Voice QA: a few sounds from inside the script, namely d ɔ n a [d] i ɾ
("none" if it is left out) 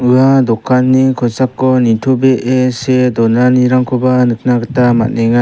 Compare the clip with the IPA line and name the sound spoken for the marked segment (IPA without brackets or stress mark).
n